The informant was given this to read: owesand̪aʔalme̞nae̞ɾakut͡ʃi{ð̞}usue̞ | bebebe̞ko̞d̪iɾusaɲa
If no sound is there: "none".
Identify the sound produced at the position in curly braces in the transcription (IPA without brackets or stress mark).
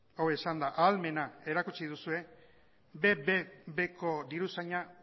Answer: ð̞